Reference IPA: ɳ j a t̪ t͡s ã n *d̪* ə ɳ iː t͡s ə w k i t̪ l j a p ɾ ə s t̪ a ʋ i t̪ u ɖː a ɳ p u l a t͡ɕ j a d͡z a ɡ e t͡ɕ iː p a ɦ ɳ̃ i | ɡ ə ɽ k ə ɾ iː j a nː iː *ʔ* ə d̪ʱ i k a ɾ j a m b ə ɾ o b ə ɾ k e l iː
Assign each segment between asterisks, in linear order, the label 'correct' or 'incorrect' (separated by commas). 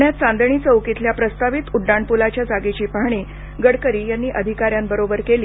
correct, correct